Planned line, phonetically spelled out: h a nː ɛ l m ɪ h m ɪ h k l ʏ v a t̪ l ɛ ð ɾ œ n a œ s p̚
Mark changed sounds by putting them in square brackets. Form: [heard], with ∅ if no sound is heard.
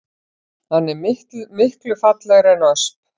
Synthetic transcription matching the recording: h a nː ɛ [ɾ] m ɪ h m ɪ h k l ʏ [f] a t̪ l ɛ [ɣ] ɾ [ɛ] n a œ s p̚